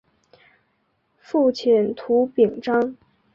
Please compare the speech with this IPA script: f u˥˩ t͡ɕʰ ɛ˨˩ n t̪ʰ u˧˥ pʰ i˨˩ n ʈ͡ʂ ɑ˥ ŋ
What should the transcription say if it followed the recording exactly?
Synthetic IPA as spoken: f u˥˩ t͡ɕʰ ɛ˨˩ n t̪ʰ u˧˥ p i˨˩ ŋ ʈ͡ʂ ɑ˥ ŋ